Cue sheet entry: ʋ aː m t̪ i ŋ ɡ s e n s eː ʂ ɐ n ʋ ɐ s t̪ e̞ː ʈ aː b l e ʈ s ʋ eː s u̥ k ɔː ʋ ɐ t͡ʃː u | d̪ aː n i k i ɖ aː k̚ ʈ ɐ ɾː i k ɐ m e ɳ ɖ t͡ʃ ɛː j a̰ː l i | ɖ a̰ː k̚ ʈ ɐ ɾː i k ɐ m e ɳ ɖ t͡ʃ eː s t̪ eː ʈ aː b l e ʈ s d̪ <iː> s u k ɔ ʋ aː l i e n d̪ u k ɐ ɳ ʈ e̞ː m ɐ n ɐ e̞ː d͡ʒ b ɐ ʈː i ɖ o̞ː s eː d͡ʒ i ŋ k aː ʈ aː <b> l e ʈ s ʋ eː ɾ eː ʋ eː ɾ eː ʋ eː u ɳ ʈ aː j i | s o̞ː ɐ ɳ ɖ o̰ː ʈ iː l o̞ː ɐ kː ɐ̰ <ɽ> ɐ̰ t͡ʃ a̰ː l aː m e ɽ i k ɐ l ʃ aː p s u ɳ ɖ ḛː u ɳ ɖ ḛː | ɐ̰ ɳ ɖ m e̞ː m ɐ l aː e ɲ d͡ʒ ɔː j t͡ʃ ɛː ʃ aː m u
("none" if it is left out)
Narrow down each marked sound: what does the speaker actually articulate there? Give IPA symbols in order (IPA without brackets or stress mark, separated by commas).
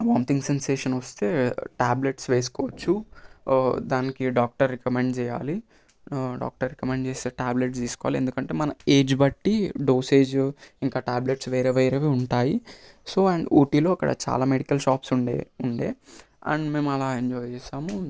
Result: iː, b, ɽ